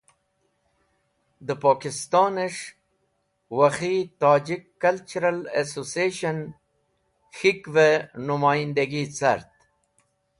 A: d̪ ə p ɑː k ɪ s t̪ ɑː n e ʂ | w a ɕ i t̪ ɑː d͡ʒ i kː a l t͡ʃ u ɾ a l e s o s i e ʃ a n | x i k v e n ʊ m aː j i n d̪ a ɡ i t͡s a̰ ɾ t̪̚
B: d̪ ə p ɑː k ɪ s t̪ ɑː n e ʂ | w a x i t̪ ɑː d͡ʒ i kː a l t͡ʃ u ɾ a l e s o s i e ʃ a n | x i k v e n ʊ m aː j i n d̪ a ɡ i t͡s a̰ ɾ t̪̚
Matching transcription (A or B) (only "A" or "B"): B